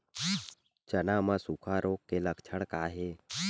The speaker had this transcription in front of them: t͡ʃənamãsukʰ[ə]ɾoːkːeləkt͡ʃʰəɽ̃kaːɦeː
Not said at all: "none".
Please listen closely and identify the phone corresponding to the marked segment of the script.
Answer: a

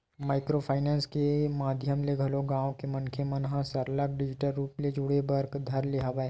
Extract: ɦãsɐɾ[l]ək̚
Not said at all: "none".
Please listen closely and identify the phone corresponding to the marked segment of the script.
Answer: l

